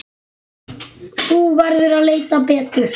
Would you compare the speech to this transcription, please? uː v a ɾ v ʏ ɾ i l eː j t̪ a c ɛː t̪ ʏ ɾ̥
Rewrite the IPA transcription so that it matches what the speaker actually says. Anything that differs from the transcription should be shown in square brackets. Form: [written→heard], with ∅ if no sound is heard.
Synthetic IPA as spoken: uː v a ɾ [v→ð] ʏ ɾ [i→a] l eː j t̪ a [c→p] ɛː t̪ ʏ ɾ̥